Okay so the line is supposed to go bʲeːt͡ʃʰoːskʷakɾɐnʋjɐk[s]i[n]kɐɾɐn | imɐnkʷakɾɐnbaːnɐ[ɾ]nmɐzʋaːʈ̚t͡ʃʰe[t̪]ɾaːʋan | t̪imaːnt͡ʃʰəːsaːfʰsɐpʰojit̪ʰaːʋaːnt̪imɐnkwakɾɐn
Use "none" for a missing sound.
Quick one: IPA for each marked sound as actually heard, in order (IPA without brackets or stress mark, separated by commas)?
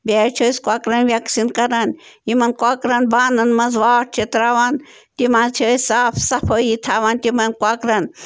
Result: s, n, none, t̪